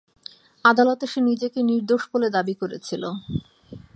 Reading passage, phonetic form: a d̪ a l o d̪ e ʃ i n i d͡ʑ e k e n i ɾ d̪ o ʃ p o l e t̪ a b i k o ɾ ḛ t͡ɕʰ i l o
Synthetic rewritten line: a d̪ a l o t̪ e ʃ e n i d͡ʑ e k e n i ɾ d̪ o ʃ b o l e d̪ a b i k o ɾ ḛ t͡ɕʰ i l o

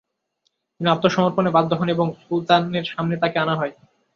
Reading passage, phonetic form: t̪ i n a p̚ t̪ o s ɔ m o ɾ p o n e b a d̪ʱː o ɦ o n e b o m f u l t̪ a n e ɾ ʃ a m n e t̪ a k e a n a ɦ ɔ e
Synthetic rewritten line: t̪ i n a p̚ t̪ o ʃ ɔ m o ɾ p o n e b a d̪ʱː o ɦ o n e b o ŋ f u l t̪ a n e ɾ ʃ a m n e t̪ a k e a n a ɦ ɔ e

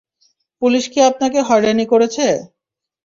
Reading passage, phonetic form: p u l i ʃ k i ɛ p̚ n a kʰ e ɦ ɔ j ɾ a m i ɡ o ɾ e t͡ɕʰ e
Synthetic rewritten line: p u l i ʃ k i a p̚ n a k e ɦ ɔ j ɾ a n i k o ɾ e t͡ɕʰ e

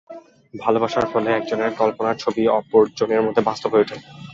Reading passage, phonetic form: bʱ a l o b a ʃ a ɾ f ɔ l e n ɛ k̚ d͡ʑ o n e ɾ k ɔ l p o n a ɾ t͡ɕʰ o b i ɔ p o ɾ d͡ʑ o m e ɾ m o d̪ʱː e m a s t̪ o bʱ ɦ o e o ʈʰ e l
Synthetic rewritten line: bʱ a l o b a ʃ a ɾ f ɔ l e ɛ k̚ d͡ʑ o n e ɾ k ɔ l p o n a ɾ t͡ɕʰ o b i ɔ p o ɾ d͡ʑ o n e ɾ m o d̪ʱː e b a s t̪ o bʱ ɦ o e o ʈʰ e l

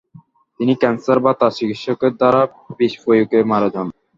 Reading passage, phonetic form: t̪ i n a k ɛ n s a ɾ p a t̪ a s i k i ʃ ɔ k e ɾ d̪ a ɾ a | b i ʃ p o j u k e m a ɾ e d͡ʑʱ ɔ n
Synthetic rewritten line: t̪ i n i k ɛ n s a ɾ b a t̪ a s i k i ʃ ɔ k e ɾ d̪ a ɾ a | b i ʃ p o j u k e m a ɾ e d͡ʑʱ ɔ n

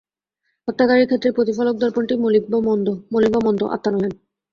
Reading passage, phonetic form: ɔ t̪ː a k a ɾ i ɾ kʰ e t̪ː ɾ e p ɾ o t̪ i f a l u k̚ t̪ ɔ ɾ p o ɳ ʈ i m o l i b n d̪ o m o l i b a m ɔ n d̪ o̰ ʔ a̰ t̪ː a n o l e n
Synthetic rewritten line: ɔ t̪ː a k a ɾ i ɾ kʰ e t̪ː ɾ e p ɾ o t̪ i f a l o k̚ d̪ ɔ ɾ p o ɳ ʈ i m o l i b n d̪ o m o l i b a m ɔ n d̪ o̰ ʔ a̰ t̪ː a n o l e n

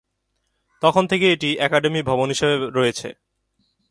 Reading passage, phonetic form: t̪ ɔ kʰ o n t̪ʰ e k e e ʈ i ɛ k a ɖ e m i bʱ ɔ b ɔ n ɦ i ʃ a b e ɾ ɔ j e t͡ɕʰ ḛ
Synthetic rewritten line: t̪ ɔ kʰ o n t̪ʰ e k e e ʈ i ɛ k a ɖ e m i bʱ ɔ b o n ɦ i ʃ e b e ɾ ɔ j e t͡ɕʰ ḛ

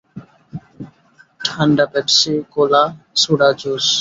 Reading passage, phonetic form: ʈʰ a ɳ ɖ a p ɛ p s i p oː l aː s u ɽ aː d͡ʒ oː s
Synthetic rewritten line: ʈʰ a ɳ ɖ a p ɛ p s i k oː l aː s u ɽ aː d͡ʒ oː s

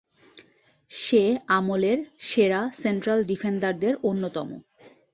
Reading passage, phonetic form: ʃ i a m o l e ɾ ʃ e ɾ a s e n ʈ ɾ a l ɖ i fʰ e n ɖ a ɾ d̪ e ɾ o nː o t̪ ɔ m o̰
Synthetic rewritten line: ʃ e a m o l e ɾ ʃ e ɾ a s e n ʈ ɾ a l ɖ i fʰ e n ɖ a ɾ d̪ e ɾ o nː o t̪ ɔ m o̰

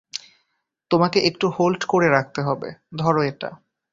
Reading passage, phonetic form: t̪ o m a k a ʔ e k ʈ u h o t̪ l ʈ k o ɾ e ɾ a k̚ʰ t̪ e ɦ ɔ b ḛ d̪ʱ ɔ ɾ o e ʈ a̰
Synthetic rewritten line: t̪ o m a k e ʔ e k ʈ u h o l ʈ k o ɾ e ɾ a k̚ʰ t̪ e ɦ ɔ b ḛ d̪ʱ ɔ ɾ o e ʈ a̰

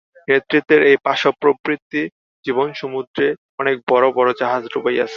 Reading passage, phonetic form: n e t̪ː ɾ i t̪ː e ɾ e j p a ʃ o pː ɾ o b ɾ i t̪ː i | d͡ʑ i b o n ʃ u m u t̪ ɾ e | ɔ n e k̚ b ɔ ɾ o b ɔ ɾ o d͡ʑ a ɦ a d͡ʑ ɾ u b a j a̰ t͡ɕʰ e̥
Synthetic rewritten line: n e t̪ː ɾ i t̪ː e ɾ e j p a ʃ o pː ɾ o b ɾ i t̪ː i | d͡ʑ i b o n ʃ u m u d̪ ɾ e | ɔ n e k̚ b ɔ ɾ o b ɔ ɾ o d͡ʑ a ɦ a d͡ʑ ɾ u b a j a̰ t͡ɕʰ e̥

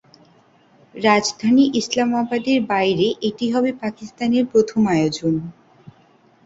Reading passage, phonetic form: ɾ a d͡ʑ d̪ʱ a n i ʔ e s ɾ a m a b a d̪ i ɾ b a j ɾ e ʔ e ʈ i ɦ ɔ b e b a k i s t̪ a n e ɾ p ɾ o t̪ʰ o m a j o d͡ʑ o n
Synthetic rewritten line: ɾ a d͡ʑ d̪ʱ a n i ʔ i s l a m a b a d̪ e ɾ b a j ɾ e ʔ e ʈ i ɦ ɔ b e p a k i s t̪ a n e ɾ p ɾ o t̪ʰ o m a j o d͡ʑ o n

